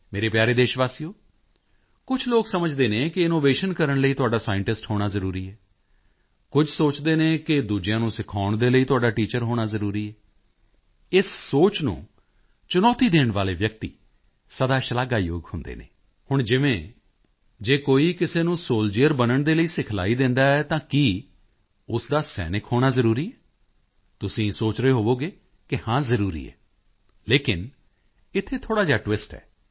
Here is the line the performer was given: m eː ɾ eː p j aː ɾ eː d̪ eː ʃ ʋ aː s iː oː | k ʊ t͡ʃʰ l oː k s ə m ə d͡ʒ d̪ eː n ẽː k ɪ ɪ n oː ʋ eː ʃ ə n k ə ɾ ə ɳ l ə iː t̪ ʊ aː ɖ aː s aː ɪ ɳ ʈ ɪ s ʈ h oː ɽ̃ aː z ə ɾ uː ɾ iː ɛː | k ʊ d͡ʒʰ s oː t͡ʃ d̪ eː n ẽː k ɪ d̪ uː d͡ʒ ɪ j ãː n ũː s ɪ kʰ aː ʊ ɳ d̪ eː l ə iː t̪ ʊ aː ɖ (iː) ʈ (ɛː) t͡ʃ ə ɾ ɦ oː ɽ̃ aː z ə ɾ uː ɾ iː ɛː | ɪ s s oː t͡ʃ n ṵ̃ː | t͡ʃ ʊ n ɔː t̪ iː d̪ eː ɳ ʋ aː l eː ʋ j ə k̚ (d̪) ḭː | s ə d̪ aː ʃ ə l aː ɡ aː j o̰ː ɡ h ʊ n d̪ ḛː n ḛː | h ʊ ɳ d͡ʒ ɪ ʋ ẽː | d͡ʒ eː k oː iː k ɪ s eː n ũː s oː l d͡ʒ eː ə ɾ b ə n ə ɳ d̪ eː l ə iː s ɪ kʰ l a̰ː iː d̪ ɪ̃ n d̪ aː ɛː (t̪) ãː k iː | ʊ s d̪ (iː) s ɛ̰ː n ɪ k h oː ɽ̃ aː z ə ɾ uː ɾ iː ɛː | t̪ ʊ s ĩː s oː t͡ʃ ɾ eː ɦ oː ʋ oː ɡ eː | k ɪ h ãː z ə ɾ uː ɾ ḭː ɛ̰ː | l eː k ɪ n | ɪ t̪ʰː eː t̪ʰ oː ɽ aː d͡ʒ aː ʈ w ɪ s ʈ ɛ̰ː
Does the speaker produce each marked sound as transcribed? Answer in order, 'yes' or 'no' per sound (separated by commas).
no, no, no, yes, no